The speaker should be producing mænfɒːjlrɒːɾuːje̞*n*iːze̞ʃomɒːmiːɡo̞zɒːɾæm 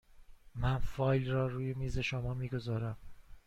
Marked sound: incorrect: m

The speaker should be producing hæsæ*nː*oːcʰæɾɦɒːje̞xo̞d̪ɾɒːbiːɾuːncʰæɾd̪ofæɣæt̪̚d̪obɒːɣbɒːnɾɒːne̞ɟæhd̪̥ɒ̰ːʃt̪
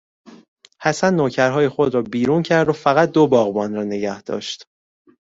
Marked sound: correct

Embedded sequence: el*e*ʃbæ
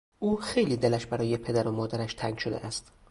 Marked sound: incorrect: æ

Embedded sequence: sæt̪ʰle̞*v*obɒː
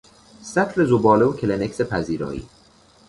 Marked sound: incorrect: z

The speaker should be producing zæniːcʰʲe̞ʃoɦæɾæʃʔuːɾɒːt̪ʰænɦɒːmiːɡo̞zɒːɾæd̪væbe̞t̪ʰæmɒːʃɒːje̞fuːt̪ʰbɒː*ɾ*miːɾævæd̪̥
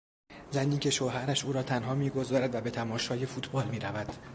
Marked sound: incorrect: l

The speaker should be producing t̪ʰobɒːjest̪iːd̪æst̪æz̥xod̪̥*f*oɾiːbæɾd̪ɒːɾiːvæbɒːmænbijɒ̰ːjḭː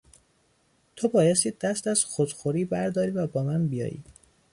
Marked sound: incorrect: x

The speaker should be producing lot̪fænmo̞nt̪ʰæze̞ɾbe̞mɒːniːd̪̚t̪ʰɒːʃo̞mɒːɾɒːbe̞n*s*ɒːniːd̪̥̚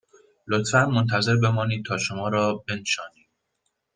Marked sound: incorrect: ʃ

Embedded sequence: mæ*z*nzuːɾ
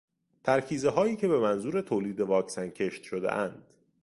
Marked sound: incorrect: none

